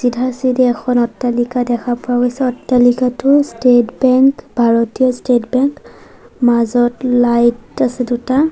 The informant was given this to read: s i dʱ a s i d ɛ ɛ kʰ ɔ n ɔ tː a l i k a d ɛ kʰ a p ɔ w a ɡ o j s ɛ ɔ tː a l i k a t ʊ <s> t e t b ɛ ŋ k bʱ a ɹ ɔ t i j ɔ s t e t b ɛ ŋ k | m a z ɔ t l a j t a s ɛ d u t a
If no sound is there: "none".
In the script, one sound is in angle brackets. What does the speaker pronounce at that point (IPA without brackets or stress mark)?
s